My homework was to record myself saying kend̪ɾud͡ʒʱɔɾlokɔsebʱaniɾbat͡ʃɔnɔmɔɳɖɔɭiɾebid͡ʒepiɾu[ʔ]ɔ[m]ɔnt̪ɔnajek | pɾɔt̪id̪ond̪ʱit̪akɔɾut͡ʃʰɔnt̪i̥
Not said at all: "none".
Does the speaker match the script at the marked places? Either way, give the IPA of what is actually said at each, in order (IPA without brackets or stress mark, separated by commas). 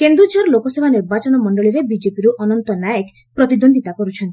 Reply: ʔ, n